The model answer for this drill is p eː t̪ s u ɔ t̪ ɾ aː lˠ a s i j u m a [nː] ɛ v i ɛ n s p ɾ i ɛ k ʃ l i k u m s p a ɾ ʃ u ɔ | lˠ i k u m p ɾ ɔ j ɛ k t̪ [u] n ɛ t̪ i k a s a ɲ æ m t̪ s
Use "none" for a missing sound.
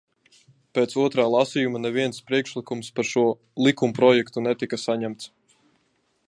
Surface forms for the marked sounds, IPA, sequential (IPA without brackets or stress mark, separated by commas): n, u